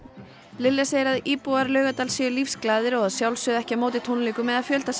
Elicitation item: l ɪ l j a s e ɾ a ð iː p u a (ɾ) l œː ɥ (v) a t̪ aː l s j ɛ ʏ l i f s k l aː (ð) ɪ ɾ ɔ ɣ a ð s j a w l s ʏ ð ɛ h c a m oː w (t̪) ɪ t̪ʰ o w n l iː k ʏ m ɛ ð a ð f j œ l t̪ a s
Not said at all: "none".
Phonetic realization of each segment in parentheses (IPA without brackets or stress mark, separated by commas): ɾ, ɣ, ð, t̪